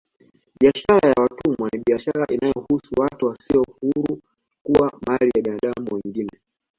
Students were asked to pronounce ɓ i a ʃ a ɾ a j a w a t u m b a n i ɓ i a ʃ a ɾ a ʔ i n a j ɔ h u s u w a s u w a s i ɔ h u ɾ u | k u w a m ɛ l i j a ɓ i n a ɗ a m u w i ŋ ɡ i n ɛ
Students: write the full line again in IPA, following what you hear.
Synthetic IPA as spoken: ɓ i a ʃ a ɾ a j a w a t u m w a n i ɓ i a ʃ a ɾ a ʔ i n a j ɔ h u s u w a t u w a s i ɔ h u ɾ u | k u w a m a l i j a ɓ i n a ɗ a m u w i ŋ ɡ i n ɛ

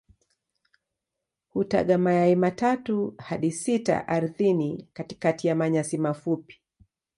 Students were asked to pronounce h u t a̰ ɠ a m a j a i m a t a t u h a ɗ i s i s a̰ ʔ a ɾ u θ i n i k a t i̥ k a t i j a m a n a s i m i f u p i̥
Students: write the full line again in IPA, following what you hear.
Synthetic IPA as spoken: h u t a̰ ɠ a m a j a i m a t a t u h a ɗ i s i t a̰ ʔ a ɾ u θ i n i k a t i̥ k a t i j a m a ɲ a s i m a f u p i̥

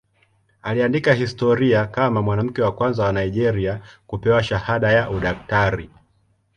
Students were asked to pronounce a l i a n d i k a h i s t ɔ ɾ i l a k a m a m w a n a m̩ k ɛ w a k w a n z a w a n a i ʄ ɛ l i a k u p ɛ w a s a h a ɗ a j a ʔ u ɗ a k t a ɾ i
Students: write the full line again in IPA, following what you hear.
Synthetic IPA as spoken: a l i a n d i k a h i s t ɔ ɾ i a k a m a m w a n a m̩ k ɛ w a k w a n z a w a n a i ʄ ɛ ɾ i a k u p ɛ w a ʃ a h a ɗ a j a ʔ u ɗ a k t a ɾ i

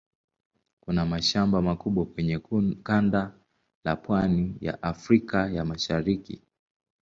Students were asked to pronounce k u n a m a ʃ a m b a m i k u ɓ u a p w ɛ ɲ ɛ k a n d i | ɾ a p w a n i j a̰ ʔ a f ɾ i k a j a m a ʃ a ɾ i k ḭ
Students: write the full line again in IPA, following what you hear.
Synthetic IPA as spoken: k u n a m a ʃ a m b a m a k u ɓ w a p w ɛ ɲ ɛ k a n d a | l a p w a n i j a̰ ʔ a f ɾ i k a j a m a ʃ a ɾ i k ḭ

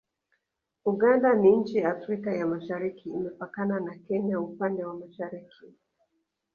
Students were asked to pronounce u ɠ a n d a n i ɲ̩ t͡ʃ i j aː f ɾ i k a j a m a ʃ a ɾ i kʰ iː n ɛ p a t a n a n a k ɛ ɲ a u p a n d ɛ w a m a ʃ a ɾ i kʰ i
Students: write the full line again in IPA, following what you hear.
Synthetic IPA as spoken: u ɠ a n d a n i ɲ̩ t͡ʃ i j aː f ɾ i k a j a m a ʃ a ɾ i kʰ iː m ɛ p a k a n a n a k ɛ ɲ a u p a n d ɛ w a m a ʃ a ɾ i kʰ i

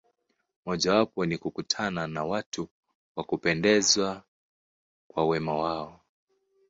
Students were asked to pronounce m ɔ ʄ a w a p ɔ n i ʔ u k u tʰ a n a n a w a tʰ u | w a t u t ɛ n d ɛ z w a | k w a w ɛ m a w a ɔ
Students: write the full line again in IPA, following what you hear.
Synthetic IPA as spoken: m ɔ ʄ a w a p ɔ n i k u k u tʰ a n a n a w a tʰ u | w a k u p ɛ n d ɛ z w a | k w a w ɛ m a w a ɔ

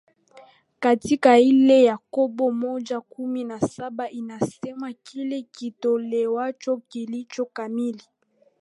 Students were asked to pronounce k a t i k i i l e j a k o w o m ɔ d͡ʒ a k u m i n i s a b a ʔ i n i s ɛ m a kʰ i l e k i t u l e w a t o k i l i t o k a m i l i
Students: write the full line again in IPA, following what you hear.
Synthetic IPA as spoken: k a t i k a i l e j a k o b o m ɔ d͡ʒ a k u m i n a s a b a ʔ i n a s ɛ m a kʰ i l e k i t o l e w a t͡ʃ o k i l i t͡ʃ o k a m i l i

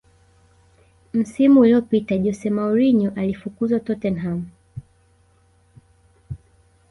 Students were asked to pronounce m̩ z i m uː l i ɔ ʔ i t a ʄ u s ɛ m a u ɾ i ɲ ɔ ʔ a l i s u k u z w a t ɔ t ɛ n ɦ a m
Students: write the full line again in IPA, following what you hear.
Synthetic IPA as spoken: m̩ s i m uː l i ɔ p i t a ʄ ɔ s ɛ m a u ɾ i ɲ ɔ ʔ a l i f u k u z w a t ɔ t ɛ n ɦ a m

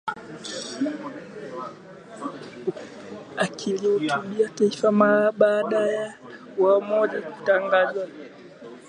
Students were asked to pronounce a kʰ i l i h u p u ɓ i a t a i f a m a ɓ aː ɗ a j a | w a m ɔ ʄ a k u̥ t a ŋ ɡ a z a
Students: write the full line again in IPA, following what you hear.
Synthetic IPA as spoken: a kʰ i l i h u t u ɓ i a t a i f a m a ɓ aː ɗ a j a | w a m ɔ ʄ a k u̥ t a ŋ ɡ a z a

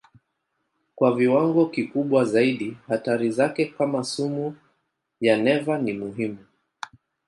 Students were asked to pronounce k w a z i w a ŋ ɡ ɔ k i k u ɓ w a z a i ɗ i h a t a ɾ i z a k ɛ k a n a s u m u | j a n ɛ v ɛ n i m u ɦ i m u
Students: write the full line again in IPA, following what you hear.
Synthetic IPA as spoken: k w a v i w a ŋ ɡ ɔ k i k u ɓ w a z a i ɗ i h a t a ɾ i z a k ɛ k a m a s u m u | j a n ɛ v a n i m u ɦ i m u

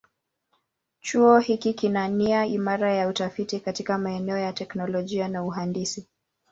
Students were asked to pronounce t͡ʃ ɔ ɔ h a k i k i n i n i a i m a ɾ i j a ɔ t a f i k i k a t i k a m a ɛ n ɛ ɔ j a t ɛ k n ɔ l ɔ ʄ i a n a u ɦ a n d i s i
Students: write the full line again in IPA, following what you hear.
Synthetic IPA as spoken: t͡ʃ u ɔ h i k i k i n a n i a i m a ɾ a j a u t a f i t i k a t i k a m a ɛ n ɛ ɔ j a t ɛ k n ɔ l ɔ ʄ i a n a u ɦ a n d i s i

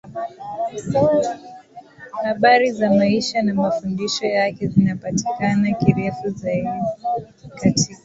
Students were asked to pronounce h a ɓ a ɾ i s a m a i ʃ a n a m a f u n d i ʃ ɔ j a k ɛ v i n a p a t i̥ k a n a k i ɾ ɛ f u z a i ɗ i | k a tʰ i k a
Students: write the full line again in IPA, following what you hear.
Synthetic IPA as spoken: h a ɓ a ɾ i z a m a i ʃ a n a m a f u n d i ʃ ɔ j a k ɛ z i n a p a t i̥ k a n a k i ɾ ɛ f u z a i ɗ i | k a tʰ i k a

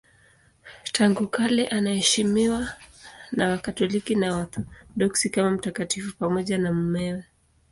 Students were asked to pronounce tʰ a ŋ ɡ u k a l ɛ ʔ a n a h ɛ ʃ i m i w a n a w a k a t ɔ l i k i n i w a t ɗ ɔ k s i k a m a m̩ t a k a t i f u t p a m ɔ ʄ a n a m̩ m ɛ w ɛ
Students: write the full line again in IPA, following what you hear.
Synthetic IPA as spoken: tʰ a ŋ ɡ u k a l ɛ ʔ a n a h ɛ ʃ i m i w a n a w a k a t ɔ l i k i n a w a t ɗ ɔ k s i k a m a m̩ t a k a t i f u p a m ɔ ʄ a n a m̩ m ɛ w ɛ

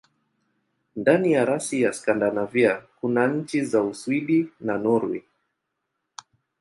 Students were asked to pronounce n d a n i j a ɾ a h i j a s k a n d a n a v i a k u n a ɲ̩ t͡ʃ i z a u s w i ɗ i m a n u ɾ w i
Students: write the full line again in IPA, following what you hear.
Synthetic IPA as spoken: n d a n i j a ɾ a s i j a s k a n d a n a v i a k u n a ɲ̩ t͡ʃ i z a u s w i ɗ i n a n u ɾ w i

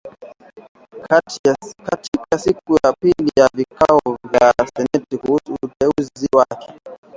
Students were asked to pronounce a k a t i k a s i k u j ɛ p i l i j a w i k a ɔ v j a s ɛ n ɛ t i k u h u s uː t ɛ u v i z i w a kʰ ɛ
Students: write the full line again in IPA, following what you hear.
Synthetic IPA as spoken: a k a t i k a s i k u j a p i l i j a v i k a ɔ v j a s ɛ n ɛ t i k u h u s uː t ɛ u z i z i w a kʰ ɛ

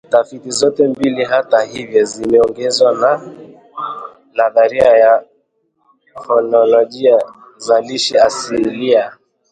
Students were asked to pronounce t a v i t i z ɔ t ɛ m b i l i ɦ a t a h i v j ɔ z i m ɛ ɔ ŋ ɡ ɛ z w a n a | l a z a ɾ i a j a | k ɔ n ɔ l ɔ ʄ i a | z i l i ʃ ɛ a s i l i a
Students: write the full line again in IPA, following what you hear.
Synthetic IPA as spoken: t a f i t i z ɔ t ɛ m b i l i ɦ a t a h i v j ɔ z i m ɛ ɔ ŋ ɡ ɛ z w a n a | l a ð a ɾ i a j a | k ɔ n ɔ l ɔ ʄ i a | z a l i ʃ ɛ a s i l i a

